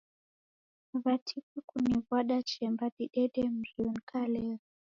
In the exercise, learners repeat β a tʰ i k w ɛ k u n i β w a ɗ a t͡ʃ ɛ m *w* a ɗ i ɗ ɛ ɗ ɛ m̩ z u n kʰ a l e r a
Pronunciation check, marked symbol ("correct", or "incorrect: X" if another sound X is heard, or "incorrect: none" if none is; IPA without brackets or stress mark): incorrect: b